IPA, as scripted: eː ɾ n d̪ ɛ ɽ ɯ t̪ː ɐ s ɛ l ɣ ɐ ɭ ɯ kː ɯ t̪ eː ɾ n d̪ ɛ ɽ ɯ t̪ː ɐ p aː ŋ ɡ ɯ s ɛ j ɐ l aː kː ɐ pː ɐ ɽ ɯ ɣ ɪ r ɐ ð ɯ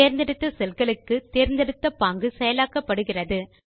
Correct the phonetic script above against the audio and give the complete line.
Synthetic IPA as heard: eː ɾ n d̪ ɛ ɽ ɯ t̪ː ɐ s ɛ l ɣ ɐ ɭ ɯ kː ɯ t̪ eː ɾ n d̪ ɛ ɽ ɯ t̪ː ɐ p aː ŋ ɡ ɯ s ɛ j ɐ l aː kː ɐ pː ɐ ɽ ɯ ɣ ɪ r ɐ ð ɯ